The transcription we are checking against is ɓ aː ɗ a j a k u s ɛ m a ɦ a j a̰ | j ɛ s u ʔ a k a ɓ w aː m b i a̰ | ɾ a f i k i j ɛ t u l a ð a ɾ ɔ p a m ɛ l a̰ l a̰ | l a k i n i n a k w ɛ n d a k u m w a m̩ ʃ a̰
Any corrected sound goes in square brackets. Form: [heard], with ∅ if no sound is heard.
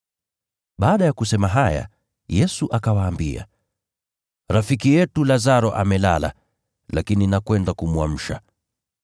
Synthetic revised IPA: ɓ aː ɗ a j a k u s ɛ m a ɦ a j a̰ | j ɛ s u ʔ a k a [∅] w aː m b i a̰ | ɾ a f i k i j ɛ t u l a [z] a ɾ ɔ [ʔ] a m ɛ l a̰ l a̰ | l a k i n i n a k w ɛ n d a k u m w a m̩ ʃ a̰

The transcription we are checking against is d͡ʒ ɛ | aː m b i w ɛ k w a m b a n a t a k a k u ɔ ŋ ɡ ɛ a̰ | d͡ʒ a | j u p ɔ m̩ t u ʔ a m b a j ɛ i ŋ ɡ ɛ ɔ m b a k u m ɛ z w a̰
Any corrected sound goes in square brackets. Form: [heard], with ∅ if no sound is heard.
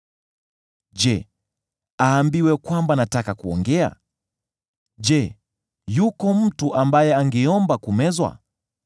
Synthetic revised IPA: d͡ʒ ɛ | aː m b i w ɛ k w a m b a n a t a k a k u ɔ ŋ ɡ ɛ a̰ | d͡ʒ [ɛ] | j u [k] ɔ m̩ t u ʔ a m b a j ɛ [a] ŋ ɡ ɛ ɔ m b a k u m ɛ z w a̰

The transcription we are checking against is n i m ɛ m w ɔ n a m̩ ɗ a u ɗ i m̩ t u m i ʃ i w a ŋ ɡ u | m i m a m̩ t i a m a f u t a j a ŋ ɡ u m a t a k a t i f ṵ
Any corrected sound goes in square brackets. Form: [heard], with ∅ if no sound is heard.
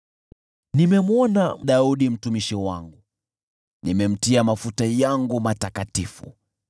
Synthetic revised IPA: n i m ɛ m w ɔ n a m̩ ɗ a u ɗ i m̩ t u m i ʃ i w a ŋ ɡ u | [n] i m [ɛ] m̩ t i a m a f u t a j a ŋ ɡ u m a t a k a t i f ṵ

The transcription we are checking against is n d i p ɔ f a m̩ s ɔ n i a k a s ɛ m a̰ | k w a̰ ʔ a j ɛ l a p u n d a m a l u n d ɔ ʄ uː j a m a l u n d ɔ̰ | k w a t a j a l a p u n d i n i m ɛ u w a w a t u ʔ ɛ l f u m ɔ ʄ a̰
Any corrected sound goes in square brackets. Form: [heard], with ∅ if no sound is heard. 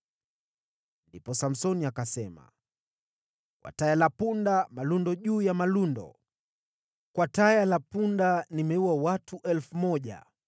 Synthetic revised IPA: n d i p ɔ [s] a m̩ s ɔ n i a k a s ɛ m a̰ | k w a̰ [t] a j [a] l a p u n d a m a l u n d ɔ ʄ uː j a m a l u n d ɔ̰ | k w a t a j a l a p u n d [a] n i m ɛ u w a w a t u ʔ ɛ l f u m ɔ ʄ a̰

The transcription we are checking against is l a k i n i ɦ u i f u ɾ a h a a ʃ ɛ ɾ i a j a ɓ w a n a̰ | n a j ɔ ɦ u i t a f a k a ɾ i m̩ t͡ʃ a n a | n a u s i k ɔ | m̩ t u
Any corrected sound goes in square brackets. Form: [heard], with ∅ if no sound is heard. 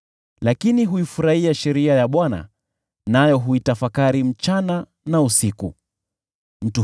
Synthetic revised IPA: l a k i n i ɦ u i f u ɾ a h [i] a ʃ ɛ ɾ i a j a ɓ w a n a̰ | n a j ɔ ɦ u i t a f a k a ɾ i m̩ t͡ʃ a n a | n a u s i k [u] | m̩ t u

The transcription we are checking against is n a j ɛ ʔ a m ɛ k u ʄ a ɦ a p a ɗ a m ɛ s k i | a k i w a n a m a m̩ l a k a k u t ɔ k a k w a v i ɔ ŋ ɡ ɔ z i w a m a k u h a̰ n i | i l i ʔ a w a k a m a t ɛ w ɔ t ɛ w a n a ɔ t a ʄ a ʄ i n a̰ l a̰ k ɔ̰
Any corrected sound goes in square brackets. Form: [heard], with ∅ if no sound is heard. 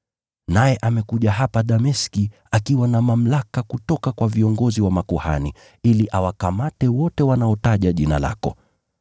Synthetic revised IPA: n a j ɛ ʔ a m ɛ k u ʄ a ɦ a p a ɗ a m ɛ s k i | a k i w a n a m a m̩ l a k a k u t ɔ k a k w a v i ɔ ŋ ɡ ɔ z i w a m a k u h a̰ n i | i l i ʔ a w a k a m a t ɛ w ɔ t ɛ w a n a ɔ t a ʄ a ʄ i n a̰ l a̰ k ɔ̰

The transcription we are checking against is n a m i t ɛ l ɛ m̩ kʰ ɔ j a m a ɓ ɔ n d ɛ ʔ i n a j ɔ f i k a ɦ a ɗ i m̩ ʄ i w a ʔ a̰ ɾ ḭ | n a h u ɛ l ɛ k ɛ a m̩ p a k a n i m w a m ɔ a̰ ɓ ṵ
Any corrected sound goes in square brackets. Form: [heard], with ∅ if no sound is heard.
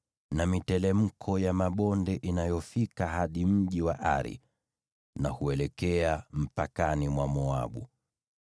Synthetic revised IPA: n a m i t ɛ l ɛ m̩ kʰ ɔ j a m a ɓ ɔ n d ɛ ʔ i n a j ɔ f i k a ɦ a ɗ i m̩ ʄ i w a ʔ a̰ ɾ ḭ | n a h u ɛ l ɛ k ɛ a m̩ p a k a n i m w a m ɔ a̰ ɓ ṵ

